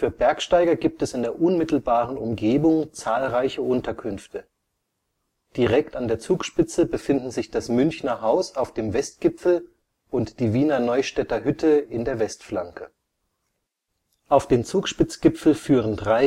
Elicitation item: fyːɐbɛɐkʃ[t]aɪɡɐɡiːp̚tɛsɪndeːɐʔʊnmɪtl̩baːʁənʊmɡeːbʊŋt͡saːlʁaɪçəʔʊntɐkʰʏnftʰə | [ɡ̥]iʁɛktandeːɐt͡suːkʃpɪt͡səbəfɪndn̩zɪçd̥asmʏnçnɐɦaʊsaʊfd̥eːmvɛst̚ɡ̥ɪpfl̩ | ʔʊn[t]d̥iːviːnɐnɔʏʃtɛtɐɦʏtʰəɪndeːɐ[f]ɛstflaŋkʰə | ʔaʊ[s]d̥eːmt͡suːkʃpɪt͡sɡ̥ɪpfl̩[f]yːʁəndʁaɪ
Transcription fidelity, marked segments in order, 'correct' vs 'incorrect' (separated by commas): correct, incorrect, correct, incorrect, incorrect, correct